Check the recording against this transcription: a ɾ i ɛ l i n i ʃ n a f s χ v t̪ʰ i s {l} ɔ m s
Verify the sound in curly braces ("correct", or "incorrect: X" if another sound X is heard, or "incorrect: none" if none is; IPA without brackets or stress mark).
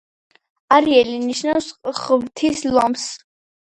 correct